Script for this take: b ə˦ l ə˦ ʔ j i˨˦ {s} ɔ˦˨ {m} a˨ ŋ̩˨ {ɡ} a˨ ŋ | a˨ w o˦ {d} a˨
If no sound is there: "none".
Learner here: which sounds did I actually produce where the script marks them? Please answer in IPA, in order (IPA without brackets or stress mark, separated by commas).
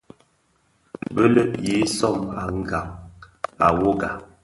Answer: s, m, ɡ, ɡ